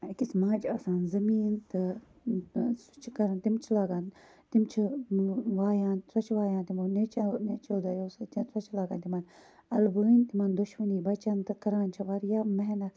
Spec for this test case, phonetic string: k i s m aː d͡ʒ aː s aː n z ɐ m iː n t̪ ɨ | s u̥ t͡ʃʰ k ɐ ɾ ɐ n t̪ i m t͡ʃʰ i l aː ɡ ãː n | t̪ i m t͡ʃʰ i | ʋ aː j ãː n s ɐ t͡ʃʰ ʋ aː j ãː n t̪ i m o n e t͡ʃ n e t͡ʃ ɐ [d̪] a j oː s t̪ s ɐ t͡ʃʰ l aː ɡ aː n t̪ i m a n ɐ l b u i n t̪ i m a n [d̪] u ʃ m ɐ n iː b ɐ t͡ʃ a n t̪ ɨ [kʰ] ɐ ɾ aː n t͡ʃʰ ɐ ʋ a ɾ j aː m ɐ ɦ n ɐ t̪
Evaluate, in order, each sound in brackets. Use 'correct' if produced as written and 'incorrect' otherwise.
correct, correct, incorrect: k

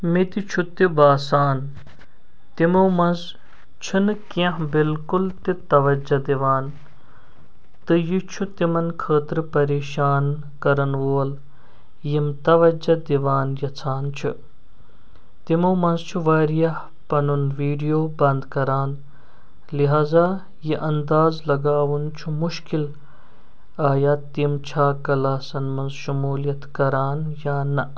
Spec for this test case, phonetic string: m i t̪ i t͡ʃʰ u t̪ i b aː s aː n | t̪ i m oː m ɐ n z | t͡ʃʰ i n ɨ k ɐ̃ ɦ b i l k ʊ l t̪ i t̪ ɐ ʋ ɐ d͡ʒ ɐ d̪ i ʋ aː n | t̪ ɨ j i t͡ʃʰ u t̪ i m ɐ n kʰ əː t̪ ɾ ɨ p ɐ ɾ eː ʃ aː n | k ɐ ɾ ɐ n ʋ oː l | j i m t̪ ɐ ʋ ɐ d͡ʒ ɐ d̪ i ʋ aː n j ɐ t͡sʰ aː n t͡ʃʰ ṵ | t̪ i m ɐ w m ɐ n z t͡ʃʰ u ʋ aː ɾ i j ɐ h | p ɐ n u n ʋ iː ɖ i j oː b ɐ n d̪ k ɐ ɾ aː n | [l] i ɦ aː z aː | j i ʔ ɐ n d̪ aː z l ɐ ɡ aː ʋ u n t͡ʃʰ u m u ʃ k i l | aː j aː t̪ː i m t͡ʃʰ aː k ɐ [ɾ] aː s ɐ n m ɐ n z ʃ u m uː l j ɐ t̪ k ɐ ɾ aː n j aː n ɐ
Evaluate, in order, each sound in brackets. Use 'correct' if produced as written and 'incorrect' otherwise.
correct, incorrect: l

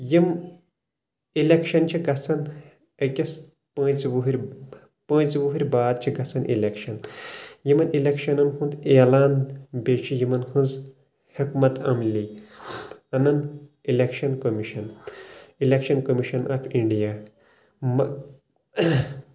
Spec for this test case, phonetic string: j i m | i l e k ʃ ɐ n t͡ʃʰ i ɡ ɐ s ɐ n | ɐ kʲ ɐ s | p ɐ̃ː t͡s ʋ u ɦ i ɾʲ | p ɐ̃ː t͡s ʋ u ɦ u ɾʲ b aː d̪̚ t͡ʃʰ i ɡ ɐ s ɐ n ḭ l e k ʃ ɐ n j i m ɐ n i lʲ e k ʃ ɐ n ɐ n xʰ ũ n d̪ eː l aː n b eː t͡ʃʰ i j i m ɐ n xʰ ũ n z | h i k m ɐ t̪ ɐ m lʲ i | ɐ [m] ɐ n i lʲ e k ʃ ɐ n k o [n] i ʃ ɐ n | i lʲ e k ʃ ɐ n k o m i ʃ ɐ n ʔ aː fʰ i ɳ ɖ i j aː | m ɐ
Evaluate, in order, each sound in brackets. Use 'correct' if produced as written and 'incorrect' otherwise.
incorrect: n, incorrect: m

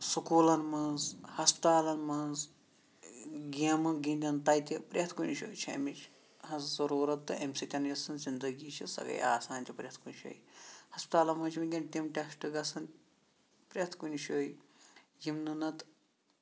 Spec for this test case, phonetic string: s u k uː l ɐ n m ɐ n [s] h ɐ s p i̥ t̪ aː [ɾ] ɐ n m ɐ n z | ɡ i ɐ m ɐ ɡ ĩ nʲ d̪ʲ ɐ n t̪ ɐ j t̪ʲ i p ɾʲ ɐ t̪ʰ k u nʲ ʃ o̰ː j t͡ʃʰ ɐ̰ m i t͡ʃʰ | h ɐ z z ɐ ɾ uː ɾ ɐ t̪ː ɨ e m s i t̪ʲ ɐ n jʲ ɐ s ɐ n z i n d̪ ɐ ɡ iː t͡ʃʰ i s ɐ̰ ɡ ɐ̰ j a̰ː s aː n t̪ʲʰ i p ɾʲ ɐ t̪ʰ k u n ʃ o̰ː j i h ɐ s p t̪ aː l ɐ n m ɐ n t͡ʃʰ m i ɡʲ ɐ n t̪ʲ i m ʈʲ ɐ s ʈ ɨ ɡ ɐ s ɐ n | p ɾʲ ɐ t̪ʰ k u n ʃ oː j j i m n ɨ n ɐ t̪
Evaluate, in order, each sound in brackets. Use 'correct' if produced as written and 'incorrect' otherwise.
incorrect: z, incorrect: l

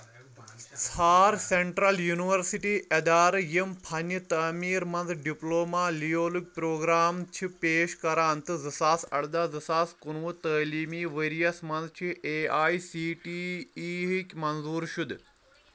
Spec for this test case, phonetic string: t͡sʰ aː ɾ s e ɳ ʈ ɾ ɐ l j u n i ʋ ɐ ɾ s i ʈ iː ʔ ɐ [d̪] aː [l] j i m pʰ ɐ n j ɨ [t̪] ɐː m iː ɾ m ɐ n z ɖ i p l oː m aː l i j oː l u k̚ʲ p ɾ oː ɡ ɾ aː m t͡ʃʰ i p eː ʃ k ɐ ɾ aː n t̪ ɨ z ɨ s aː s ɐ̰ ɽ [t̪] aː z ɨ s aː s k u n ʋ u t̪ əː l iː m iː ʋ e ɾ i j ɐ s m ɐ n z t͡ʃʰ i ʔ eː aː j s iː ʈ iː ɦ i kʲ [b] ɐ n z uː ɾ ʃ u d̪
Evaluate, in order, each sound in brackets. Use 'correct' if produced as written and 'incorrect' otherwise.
correct, incorrect: ɾ, correct, incorrect: d̪, incorrect: m

